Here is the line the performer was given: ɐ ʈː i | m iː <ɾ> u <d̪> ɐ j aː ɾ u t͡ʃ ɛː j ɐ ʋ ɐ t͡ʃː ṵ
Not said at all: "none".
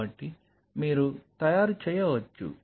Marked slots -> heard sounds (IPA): ɾ, t̪

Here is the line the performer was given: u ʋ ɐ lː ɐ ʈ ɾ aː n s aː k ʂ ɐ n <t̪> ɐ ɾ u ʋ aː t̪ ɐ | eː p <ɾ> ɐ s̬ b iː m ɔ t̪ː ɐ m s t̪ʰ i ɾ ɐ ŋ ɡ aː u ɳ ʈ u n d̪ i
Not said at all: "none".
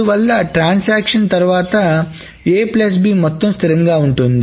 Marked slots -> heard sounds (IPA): t̪, l

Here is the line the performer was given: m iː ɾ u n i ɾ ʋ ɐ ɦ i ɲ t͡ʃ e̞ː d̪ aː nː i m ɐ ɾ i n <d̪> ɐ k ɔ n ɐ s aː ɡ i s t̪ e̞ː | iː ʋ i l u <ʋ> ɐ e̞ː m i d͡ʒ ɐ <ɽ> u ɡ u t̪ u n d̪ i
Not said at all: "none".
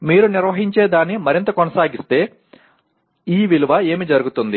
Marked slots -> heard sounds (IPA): t̪, ʋ, ɾ

